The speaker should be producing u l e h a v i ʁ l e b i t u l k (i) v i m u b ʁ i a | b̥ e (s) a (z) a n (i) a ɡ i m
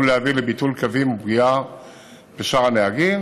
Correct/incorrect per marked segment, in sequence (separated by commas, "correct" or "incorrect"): incorrect, incorrect, incorrect, incorrect